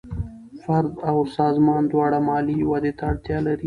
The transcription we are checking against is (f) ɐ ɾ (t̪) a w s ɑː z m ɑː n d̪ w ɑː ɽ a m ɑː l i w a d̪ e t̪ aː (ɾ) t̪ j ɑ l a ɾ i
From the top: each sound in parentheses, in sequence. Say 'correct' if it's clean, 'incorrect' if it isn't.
correct, incorrect, incorrect

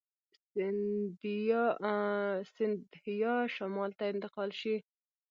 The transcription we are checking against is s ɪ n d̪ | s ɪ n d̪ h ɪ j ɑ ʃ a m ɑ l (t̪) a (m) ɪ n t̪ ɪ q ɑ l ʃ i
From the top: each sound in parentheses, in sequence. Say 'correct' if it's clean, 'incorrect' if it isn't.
correct, incorrect

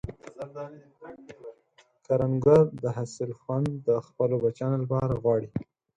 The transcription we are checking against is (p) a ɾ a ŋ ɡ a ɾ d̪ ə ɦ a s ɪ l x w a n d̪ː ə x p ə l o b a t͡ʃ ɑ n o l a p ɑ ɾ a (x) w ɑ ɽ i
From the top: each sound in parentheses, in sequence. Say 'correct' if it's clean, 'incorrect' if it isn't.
incorrect, incorrect

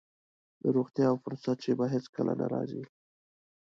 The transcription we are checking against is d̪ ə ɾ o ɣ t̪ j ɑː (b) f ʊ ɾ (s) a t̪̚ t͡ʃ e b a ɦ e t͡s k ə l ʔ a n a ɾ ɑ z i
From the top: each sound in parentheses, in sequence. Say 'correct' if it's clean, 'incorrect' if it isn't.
incorrect, correct

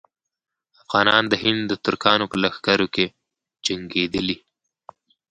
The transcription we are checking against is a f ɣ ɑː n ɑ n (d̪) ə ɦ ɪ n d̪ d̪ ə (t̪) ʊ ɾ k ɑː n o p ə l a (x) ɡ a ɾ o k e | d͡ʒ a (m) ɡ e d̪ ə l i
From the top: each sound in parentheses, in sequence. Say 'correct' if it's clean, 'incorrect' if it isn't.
correct, correct, correct, incorrect

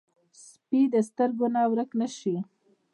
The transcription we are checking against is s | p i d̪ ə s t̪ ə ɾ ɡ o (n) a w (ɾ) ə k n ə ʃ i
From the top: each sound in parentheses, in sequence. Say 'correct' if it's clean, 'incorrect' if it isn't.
correct, correct

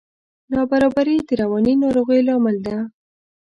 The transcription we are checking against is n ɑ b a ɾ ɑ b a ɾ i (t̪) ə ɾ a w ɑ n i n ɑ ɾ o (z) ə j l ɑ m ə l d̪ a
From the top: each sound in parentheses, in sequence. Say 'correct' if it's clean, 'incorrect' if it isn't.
incorrect, incorrect

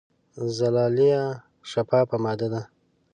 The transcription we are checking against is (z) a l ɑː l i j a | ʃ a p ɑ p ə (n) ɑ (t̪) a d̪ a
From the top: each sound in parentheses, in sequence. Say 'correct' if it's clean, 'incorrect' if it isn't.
correct, incorrect, incorrect

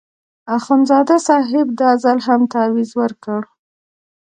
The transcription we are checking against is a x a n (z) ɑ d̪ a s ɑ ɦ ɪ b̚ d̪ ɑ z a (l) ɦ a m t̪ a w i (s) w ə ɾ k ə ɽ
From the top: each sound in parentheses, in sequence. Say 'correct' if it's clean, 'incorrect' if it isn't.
correct, correct, incorrect

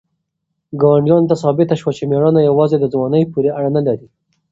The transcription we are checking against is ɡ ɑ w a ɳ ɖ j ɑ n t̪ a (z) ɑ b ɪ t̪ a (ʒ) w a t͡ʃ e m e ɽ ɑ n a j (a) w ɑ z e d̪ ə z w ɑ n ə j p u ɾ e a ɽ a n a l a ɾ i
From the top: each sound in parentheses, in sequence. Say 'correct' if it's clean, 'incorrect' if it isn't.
incorrect, incorrect, correct

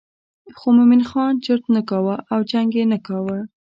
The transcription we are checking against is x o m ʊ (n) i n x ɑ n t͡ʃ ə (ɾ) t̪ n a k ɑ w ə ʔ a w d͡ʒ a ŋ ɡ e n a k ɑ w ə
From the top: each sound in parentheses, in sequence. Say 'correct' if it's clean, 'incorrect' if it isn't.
incorrect, correct

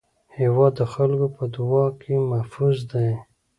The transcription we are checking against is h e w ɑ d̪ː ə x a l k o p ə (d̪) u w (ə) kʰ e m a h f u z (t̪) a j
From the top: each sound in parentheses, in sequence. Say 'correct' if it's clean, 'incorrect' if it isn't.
correct, incorrect, incorrect

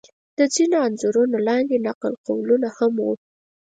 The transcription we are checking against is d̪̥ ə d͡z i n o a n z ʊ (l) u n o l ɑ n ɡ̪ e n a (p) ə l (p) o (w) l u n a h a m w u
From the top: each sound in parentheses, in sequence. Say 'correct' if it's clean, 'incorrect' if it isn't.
incorrect, incorrect, incorrect, correct

